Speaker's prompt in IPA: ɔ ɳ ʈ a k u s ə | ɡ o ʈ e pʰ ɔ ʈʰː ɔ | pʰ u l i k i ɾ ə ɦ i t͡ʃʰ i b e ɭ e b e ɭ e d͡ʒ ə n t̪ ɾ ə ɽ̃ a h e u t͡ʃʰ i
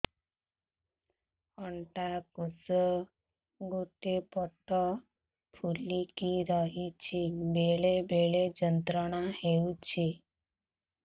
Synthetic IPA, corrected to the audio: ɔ ɳ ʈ a k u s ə | ɡ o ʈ e p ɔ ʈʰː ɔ | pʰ u l i k i ɾ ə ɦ i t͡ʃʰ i b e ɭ e b e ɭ e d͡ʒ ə n t̪ ɾ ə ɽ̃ a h e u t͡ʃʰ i